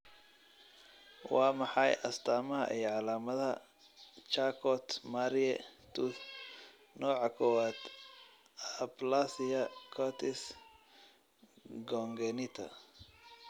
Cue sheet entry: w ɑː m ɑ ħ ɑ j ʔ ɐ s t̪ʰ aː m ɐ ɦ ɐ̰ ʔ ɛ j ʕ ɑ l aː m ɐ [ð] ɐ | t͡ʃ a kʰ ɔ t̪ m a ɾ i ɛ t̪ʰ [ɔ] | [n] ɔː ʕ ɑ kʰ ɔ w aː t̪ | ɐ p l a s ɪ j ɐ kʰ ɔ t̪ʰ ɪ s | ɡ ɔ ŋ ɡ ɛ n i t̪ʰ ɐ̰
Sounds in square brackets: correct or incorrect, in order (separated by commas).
correct, incorrect, correct